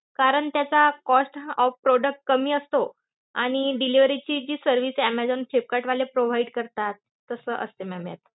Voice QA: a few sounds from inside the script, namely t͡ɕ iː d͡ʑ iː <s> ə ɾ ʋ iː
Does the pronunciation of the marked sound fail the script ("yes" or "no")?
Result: no